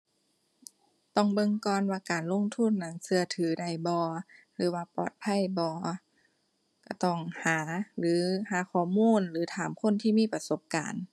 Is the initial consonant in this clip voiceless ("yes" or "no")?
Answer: yes